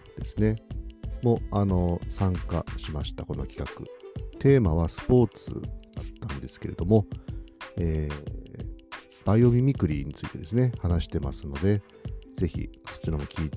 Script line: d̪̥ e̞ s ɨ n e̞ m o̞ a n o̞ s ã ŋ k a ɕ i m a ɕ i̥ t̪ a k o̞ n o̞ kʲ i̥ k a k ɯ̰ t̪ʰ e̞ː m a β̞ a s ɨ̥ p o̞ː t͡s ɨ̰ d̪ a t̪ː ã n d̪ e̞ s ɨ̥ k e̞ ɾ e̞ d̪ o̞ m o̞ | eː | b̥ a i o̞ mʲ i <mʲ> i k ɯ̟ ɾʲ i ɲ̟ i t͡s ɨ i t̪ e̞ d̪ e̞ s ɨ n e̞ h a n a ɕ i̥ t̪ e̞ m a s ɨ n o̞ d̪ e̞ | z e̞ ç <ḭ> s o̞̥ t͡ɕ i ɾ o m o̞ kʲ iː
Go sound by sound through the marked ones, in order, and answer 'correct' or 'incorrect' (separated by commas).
correct, correct